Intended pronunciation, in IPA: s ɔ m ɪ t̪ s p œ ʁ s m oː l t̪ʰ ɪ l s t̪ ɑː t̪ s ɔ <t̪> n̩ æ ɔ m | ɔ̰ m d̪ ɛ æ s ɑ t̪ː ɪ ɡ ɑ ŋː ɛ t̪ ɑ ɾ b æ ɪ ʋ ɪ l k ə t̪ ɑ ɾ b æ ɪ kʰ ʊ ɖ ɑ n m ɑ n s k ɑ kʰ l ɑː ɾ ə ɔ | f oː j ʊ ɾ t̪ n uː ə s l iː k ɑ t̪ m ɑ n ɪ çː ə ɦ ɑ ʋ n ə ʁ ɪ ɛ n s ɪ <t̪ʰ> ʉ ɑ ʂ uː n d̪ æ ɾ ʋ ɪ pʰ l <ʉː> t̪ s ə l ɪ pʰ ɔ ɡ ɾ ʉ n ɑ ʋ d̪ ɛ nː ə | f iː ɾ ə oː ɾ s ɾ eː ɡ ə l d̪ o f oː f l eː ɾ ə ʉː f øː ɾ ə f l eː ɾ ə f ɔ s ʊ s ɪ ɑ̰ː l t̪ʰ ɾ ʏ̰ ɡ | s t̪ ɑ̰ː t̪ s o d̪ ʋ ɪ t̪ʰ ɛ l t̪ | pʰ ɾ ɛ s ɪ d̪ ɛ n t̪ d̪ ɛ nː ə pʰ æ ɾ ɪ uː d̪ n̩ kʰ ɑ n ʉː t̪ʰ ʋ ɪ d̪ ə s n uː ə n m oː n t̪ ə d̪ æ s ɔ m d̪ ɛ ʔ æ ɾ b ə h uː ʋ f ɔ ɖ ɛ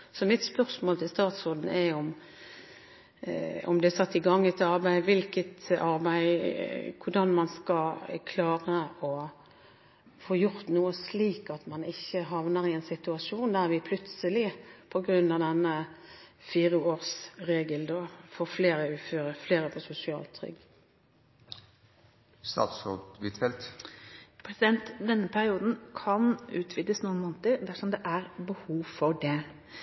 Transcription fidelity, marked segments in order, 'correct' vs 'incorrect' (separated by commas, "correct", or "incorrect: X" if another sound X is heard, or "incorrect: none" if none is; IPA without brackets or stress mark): incorrect: d̪, incorrect: t̪, incorrect: ʉ